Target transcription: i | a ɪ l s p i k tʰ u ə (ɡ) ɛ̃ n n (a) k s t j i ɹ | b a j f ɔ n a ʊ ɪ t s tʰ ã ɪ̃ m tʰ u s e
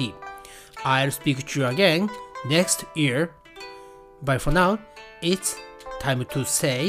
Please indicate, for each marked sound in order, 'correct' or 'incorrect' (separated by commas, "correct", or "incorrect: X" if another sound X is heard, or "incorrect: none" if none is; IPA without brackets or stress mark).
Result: correct, incorrect: ɛ